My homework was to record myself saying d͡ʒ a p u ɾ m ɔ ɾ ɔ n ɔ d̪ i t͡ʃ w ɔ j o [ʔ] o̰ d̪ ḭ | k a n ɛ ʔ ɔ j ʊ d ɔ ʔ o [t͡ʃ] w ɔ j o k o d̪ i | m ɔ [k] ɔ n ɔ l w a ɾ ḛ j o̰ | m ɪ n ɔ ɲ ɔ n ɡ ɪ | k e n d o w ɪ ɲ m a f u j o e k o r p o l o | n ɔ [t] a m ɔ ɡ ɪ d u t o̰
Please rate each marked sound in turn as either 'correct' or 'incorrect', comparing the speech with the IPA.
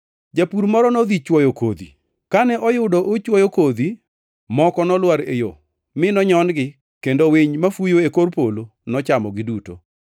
incorrect: k, correct, correct, incorrect: t͡ʃ

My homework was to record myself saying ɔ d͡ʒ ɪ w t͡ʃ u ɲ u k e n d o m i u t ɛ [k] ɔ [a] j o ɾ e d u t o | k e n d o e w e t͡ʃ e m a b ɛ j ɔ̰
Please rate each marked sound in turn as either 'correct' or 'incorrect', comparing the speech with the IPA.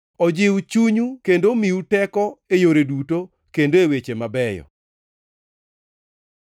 correct, incorrect: e

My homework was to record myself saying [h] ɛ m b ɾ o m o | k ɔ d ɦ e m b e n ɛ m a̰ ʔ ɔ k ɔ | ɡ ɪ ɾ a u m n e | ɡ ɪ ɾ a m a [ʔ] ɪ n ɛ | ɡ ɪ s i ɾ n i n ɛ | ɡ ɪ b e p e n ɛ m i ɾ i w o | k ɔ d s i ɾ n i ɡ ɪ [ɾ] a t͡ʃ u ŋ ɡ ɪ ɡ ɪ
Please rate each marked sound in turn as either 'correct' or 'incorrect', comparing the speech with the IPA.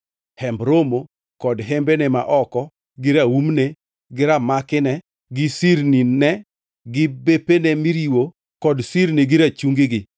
correct, incorrect: k, correct

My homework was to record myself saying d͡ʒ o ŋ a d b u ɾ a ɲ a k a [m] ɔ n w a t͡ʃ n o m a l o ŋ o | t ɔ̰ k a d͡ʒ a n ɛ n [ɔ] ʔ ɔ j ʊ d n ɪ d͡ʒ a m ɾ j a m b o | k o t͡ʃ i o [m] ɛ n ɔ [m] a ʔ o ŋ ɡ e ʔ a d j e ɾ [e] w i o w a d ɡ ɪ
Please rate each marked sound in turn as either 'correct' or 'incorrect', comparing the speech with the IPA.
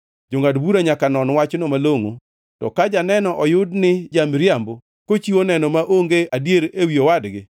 incorrect: n, correct, incorrect: n, correct, correct

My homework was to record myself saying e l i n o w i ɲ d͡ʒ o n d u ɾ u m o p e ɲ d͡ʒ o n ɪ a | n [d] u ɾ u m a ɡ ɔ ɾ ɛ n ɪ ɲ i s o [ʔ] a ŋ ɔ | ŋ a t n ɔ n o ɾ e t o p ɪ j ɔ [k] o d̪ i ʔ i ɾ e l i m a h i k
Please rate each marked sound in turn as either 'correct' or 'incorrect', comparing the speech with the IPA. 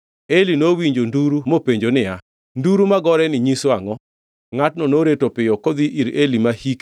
correct, incorrect: none, correct

